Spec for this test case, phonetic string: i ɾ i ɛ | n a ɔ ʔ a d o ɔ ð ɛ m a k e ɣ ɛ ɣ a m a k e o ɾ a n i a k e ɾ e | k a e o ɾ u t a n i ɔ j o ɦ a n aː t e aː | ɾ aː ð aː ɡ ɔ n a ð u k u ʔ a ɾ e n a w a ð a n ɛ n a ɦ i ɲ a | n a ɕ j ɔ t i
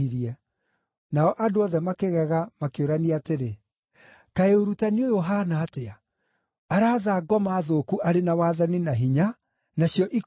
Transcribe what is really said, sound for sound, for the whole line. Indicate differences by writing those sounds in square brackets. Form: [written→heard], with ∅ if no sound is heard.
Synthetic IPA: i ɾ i ɛ | n a ɔ ʔ a d o ɔ ð ɛ m a k e ɣ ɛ ɣ a m a k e o ɾ a n i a [k→t] e ɾ e | k a e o ɾ u t a n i [ɔ→o] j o ɦ a n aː t e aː | ɾ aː ð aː ɡ ɔ [n→m] a ð [u→o] k u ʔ a ɾ e n a w a ð a n [ɛ→i] n a ɦ i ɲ a | n a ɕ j ɔ [t→ʔ] i